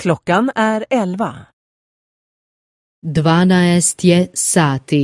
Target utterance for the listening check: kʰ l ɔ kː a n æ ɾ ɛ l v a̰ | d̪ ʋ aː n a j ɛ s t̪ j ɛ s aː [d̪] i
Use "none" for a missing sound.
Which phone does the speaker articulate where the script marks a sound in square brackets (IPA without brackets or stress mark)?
t̪